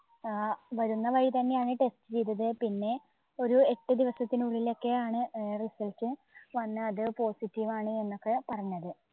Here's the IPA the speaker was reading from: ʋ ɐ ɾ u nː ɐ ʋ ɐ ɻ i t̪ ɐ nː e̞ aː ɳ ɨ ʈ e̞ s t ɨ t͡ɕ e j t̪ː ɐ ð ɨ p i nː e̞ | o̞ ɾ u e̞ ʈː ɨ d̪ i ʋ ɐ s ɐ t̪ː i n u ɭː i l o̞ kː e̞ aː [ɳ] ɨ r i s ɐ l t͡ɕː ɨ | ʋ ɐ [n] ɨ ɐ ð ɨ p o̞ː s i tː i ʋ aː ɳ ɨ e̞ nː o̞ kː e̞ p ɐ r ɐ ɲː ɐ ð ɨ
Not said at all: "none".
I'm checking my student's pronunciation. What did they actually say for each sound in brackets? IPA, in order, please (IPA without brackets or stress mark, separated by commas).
ɳ, nː